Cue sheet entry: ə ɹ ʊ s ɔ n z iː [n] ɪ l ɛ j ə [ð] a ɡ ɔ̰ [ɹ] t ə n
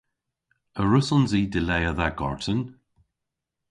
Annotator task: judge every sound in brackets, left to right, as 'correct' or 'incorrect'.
incorrect: d, correct, correct

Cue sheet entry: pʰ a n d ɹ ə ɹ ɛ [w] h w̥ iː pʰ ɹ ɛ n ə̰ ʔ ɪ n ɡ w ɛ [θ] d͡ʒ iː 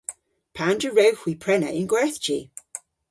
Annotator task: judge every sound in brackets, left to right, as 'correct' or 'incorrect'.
correct, correct

